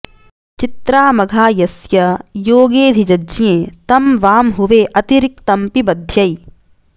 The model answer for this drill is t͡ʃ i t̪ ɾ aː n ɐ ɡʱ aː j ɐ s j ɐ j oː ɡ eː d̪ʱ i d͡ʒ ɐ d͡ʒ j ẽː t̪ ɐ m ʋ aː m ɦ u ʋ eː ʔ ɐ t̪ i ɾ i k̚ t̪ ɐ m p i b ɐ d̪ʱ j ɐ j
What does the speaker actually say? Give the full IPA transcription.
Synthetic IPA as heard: t͡ʃ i t̪ ɾ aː m ɐ ɡʱ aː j ɐ s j ɐ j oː ɡ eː d̪ʱ i d͡ʒ ɐ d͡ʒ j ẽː t̪ ɐ m ʋ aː m ɦ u ʋ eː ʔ ɐ t̪ i ɾ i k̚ t̪ ɐ m p i b ɐ d̪ʱ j ɐ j